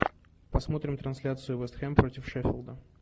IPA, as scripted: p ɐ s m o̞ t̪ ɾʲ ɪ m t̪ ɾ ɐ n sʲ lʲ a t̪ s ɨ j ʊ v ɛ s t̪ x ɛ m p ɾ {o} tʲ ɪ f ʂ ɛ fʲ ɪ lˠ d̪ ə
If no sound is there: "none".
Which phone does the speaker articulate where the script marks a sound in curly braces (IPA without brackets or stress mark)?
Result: o